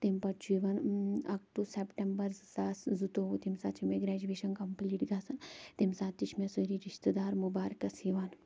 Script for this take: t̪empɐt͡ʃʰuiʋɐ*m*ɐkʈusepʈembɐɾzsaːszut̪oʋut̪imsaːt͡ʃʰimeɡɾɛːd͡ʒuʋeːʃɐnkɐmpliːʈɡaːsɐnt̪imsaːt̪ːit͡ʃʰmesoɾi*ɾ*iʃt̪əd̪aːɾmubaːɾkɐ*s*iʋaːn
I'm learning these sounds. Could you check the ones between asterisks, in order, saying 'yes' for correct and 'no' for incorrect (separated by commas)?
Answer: no, yes, yes